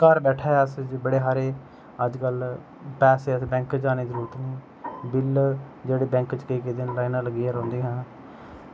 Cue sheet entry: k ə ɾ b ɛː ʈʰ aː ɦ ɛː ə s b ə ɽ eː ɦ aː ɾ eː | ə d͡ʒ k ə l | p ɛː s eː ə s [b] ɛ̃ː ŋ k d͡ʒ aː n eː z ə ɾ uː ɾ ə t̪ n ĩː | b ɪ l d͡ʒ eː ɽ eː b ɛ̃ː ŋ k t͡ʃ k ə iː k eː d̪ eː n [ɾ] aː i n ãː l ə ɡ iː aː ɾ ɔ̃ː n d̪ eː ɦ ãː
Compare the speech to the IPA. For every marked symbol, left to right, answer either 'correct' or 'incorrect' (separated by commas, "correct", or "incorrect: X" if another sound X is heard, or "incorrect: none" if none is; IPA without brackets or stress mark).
correct, incorrect: l